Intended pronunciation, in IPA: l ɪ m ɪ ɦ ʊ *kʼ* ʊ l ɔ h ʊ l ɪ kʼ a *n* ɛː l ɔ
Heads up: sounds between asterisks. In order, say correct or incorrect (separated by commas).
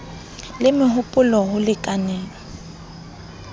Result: incorrect, correct